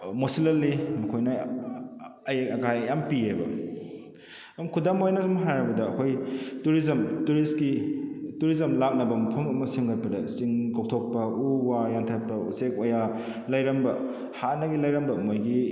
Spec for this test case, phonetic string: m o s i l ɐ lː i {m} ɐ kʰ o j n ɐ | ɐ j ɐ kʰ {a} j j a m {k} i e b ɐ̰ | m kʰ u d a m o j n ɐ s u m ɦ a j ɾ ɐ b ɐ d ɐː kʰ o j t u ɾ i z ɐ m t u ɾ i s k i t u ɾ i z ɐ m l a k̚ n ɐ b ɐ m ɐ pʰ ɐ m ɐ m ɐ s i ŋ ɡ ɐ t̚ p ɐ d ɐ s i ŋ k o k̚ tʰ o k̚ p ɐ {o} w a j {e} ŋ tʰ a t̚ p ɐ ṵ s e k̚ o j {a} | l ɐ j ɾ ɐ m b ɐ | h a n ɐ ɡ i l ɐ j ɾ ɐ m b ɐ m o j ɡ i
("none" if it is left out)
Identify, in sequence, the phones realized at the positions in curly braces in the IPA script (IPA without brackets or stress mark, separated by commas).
m, a, p, u, a, a